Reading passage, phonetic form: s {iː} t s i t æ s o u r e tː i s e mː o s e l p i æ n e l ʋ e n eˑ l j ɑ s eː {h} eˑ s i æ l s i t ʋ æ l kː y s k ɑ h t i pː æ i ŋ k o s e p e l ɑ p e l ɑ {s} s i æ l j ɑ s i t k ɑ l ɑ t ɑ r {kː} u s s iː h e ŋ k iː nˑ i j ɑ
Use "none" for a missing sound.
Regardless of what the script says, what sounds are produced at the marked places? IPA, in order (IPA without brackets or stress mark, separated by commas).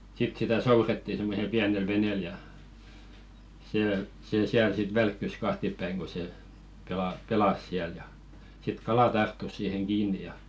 i, s, s, tː